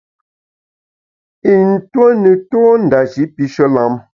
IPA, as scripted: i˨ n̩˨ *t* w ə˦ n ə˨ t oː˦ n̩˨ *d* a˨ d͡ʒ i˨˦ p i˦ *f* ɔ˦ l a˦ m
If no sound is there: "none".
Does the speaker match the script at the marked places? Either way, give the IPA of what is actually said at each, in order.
t, d, ʃ

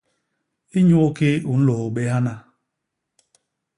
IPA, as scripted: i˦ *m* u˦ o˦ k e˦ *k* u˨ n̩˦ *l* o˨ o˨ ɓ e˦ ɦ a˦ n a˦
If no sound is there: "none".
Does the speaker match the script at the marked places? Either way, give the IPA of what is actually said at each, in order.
ɲ, none, l

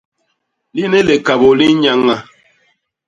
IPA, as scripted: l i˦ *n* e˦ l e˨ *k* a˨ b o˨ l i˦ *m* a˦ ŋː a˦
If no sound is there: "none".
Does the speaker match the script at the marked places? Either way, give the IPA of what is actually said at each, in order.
n, k, ɲ

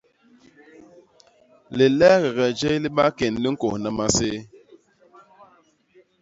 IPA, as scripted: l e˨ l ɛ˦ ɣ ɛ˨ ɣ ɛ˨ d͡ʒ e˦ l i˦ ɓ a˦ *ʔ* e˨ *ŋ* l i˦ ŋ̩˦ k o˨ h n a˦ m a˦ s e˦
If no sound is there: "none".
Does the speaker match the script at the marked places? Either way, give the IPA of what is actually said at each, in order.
k, n

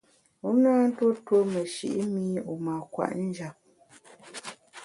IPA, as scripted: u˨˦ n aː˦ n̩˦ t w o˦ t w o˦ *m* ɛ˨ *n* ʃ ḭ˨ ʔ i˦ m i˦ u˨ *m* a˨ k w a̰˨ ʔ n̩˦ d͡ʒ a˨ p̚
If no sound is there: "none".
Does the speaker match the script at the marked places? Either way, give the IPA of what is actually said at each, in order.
m, none, m

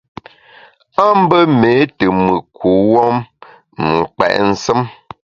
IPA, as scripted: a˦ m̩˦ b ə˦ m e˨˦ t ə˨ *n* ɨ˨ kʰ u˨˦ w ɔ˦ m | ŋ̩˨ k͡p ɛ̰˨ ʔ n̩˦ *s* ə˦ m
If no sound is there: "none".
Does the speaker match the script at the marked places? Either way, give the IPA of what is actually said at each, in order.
m, s

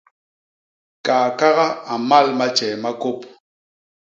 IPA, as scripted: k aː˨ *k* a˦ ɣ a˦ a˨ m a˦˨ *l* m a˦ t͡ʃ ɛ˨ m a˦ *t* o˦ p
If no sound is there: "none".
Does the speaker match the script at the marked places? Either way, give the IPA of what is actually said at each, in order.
k, l, k

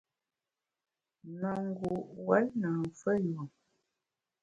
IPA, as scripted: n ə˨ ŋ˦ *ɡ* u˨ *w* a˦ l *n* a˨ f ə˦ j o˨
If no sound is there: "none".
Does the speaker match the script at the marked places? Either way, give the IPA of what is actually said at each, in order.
ɡ, w, n

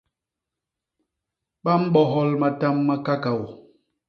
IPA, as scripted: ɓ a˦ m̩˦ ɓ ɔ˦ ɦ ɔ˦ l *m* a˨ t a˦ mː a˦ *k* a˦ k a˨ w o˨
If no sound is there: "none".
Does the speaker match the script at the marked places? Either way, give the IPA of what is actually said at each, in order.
m, k

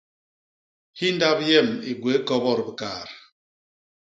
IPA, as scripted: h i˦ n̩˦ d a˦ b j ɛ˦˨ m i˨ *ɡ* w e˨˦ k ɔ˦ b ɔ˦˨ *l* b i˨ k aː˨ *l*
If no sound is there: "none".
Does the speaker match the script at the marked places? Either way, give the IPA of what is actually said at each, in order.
ɡ, ɾ, ɾ

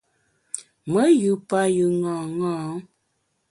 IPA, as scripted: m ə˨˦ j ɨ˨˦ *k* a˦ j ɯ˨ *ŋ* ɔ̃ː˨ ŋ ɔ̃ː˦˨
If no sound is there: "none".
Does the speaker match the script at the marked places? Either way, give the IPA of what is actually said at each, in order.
p, ŋ

